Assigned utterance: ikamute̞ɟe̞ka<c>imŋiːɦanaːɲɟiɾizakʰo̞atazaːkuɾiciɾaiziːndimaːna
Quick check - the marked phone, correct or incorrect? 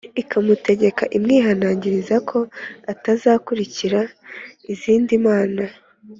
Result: incorrect